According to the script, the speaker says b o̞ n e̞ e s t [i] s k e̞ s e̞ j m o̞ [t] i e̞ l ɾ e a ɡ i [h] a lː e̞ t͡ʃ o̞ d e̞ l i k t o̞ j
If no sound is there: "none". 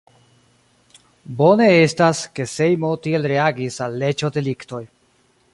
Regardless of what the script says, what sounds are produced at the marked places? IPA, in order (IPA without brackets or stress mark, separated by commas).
a, t, s